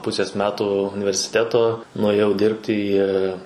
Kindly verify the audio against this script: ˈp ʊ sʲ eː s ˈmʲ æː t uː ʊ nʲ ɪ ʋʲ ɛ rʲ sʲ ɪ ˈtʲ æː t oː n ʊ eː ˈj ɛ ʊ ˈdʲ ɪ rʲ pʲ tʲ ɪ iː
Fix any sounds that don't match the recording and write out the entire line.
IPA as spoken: ˈp ʊ sʲ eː s ˈmʲ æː t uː ʊ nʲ ɪ ʋʲ ɛ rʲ sʲ ɪ ˈtʲ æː t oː n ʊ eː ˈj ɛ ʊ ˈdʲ ɪ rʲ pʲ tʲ ɪ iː